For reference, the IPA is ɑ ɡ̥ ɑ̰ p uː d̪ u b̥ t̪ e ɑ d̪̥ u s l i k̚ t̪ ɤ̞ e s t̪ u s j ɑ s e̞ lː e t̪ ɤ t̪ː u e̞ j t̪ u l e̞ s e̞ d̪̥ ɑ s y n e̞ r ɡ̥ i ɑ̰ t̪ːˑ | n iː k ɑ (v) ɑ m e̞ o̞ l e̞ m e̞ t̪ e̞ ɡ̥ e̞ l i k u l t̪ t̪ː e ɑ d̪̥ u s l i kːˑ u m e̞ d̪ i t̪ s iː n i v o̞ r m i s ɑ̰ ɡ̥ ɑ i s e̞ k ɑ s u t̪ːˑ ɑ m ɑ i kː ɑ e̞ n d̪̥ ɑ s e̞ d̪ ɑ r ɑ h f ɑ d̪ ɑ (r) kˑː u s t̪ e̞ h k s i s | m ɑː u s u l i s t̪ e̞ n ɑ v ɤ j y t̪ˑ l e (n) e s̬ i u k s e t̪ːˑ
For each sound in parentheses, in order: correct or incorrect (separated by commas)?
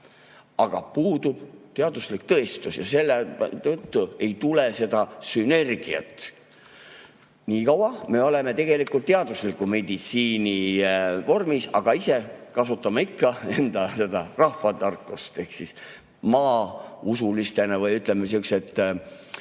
incorrect, correct, incorrect